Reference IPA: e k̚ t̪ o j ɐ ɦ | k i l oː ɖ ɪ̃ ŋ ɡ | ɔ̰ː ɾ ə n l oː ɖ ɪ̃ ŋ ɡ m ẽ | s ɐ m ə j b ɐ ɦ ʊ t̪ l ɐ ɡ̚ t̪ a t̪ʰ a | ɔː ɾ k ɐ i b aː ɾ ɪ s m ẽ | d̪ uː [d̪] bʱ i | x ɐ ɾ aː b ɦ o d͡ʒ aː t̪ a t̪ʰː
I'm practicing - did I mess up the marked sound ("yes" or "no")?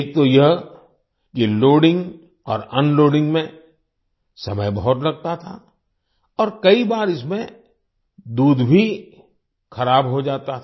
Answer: no